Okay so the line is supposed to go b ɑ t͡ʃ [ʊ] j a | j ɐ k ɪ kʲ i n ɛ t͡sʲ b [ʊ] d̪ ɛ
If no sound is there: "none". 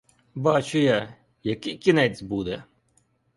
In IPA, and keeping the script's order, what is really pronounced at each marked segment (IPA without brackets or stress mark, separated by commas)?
ʊ, u